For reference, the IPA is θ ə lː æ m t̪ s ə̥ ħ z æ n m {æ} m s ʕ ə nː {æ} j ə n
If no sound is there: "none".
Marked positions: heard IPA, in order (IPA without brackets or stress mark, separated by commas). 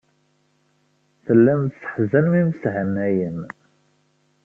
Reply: i, æ